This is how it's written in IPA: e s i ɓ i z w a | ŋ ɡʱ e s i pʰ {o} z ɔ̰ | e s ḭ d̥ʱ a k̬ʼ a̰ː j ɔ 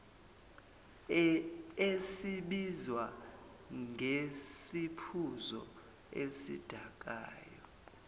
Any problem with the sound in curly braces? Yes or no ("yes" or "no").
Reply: yes